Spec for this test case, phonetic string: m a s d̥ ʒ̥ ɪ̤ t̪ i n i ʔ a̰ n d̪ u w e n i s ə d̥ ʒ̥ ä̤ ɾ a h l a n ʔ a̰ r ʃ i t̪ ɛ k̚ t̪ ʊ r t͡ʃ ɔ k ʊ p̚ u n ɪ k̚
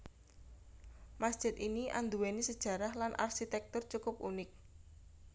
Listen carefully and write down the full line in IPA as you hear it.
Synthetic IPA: m a s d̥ ʒ̥ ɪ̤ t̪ i n i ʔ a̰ n d̪ u w e n i s ə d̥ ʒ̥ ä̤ ɾ a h l a n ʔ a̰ r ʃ i t̪ ɛ k̚ t̪ ʊ r t͡ʃ u k ʊ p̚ u n ɪ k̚